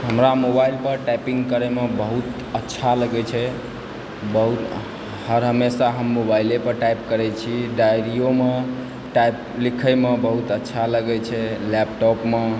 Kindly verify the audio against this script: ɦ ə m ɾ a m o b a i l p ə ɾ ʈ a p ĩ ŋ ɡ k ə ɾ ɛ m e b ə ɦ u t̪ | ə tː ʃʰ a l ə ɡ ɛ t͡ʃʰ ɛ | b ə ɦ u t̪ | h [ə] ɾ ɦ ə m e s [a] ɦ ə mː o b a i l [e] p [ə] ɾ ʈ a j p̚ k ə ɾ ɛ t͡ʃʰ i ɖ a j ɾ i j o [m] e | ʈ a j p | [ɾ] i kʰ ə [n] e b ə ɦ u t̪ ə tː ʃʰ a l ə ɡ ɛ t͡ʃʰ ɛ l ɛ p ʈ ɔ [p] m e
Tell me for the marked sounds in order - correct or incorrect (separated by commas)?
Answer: correct, correct, correct, correct, correct, incorrect, incorrect, correct